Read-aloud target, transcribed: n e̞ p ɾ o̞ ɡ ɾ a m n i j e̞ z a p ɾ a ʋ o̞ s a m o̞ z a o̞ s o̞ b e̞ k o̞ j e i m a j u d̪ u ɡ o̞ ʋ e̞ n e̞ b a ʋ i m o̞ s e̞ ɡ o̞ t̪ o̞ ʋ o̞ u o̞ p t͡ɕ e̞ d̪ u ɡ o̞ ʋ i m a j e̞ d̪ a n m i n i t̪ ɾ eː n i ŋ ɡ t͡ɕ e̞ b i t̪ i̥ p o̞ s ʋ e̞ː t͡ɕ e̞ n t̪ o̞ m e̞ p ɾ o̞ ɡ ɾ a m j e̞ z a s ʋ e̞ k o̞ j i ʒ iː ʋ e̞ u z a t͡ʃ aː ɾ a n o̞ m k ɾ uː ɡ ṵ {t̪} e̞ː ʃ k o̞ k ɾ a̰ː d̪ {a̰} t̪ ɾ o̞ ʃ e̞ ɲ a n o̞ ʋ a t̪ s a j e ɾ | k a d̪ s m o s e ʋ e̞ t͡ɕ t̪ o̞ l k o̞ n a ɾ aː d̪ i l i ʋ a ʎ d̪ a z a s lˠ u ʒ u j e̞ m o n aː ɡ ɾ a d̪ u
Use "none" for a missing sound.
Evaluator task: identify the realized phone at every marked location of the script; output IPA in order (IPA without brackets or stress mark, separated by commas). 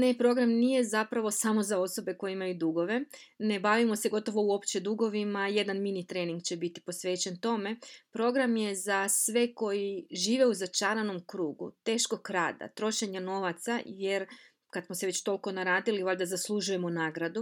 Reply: t̪, a̰